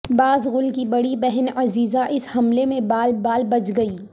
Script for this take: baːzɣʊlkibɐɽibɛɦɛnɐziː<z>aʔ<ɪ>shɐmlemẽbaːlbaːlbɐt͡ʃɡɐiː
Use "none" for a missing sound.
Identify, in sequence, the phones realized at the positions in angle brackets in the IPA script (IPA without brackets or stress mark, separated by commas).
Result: z, ɪ